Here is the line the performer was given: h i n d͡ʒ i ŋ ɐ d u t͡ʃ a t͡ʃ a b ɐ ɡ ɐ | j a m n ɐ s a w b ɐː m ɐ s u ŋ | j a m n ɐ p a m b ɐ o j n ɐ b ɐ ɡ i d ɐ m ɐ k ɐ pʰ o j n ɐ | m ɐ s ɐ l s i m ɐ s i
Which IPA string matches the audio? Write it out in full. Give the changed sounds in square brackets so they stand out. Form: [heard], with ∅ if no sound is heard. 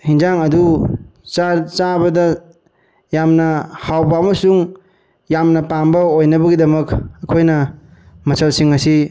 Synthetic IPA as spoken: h i n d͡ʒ [a] ŋ ɐ d u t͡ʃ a t͡ʃ a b ɐ [d] ɐ | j a m n ɐ [h] a w b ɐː m ɐ s u ŋ | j a m n ɐ p a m b ɐ o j n ɐ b ɐ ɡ i d ɐ m ɐ k ɐ [kʰ] o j n ɐ | m ɐ s ɐ l s i [ŋ] ɐ s i